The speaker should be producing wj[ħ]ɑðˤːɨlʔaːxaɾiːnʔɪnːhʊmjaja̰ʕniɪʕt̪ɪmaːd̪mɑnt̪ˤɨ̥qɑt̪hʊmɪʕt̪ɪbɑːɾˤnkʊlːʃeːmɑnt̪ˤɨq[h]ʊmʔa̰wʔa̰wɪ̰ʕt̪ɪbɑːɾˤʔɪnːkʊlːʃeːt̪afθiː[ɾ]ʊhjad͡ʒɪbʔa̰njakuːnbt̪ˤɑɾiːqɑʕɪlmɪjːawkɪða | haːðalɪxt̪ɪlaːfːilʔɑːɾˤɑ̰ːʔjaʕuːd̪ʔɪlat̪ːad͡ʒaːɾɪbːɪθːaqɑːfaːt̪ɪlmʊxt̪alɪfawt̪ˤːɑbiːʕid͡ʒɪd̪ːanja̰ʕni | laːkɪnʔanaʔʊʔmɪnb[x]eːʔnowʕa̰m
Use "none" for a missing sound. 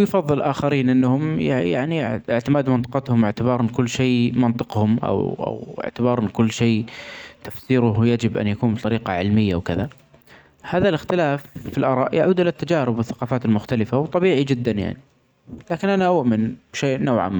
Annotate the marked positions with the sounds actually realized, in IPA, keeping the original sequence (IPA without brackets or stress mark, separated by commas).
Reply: f, h, ɾ, ʃ